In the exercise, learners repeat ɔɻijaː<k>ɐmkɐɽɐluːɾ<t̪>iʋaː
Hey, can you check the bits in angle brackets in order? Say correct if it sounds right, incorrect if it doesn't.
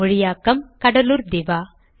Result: correct, incorrect: d̪

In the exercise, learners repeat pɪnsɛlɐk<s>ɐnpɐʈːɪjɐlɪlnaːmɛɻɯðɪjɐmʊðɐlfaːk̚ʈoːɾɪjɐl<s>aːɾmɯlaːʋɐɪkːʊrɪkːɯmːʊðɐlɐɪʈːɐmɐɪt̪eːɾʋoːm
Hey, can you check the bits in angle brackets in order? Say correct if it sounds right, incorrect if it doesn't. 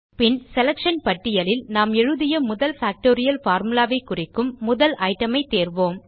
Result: incorrect: ʂ, incorrect: f

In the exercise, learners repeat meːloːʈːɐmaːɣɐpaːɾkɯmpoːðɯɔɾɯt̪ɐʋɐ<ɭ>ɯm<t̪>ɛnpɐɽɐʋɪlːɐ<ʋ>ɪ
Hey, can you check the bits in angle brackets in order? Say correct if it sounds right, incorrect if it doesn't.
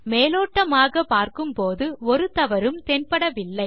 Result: incorrect: ɾ, correct, incorrect: none

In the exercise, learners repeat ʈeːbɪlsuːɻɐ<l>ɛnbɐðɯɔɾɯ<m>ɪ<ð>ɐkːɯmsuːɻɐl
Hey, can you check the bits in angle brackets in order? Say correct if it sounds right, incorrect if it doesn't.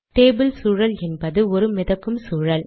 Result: correct, correct, correct

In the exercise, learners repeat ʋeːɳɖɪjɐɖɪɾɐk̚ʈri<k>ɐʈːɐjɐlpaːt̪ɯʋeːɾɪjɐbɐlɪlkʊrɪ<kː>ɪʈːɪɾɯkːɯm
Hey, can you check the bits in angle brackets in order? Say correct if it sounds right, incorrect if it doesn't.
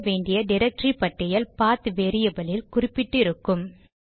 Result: incorrect: p, incorrect: pː

